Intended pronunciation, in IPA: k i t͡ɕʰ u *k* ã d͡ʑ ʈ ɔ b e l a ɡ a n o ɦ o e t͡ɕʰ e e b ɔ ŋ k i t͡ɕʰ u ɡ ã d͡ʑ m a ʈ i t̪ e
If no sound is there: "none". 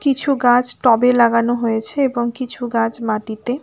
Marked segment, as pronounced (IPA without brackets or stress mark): ɡ